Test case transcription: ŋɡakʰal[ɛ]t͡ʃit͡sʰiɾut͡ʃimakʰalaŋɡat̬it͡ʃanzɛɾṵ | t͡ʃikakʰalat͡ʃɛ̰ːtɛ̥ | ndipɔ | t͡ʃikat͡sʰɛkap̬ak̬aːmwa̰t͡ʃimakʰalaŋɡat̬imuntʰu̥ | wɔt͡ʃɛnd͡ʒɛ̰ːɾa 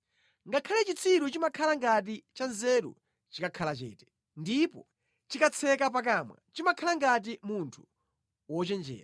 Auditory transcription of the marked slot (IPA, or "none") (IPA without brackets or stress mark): ɛ